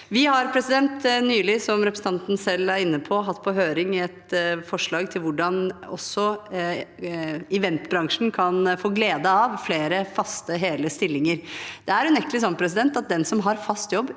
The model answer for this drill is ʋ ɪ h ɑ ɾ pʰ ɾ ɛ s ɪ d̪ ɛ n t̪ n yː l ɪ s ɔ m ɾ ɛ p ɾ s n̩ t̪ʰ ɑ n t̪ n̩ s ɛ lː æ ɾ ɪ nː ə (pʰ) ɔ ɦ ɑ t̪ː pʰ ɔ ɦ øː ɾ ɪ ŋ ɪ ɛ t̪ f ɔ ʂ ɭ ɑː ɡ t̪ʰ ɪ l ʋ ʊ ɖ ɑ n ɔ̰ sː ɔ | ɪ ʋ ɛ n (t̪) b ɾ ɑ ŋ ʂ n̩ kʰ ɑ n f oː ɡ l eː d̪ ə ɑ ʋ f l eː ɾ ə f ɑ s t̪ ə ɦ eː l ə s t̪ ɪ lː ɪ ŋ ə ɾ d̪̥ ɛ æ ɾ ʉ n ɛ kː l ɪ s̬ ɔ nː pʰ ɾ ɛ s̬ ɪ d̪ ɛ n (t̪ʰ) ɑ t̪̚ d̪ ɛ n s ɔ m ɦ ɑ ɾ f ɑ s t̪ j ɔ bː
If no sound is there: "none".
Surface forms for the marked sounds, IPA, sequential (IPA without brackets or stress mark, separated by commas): pʰ, t̪, t̪